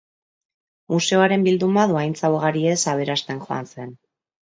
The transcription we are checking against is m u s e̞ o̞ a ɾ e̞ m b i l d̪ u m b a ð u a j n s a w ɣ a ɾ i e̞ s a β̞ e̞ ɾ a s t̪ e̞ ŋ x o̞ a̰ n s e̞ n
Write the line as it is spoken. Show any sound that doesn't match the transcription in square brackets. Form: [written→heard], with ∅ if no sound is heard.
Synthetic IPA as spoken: m u s e̞ o̞ a ɾ e̞ m b i l d̪ u m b a ð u a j n [s→t͡s] a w ɣ a ɾ i e̞ s a β̞ e̞ ɾ a s t̪ e̞ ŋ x o̞ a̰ n s e̞ n